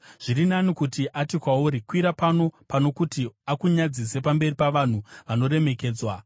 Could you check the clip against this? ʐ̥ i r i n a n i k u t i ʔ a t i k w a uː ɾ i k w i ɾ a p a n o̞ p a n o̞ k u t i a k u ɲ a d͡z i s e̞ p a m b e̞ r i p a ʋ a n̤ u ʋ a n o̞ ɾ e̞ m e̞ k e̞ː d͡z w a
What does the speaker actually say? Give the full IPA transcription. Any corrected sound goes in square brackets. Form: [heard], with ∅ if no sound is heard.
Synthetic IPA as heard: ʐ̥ i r i n a n i k u t i ʔ a t i k w a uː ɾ i k w i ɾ a p a n o̞ p a n o̞ k u t i a k u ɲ a d͡z i s e̞ p a m b e̞ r i p a ʋ a n̤ u ʋ a n o̞ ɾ e̞ m e̞ k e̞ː d͡z w a